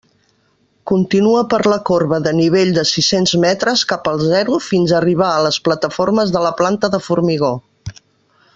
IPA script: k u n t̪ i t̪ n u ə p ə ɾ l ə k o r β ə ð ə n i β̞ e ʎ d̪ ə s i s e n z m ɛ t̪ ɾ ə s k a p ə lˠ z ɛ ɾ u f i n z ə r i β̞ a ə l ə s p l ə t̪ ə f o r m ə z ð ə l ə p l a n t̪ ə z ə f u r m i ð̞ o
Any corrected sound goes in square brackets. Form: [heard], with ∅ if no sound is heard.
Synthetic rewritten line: k u n t̪ i [∅] n u ə p ə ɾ l ə k o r β ə ð ə n i β̞ e ʎ d̪ ə s i s e n z m ɛ t̪ ɾ ə s k a p ə lˠ z ɛ ɾ u f i n z ə r i β̞ a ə l ə s p l ə t̪ ə f o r m ə z ð ə l ə p l a n t̪ ə [ð] ə f u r m i [ɣ̞] o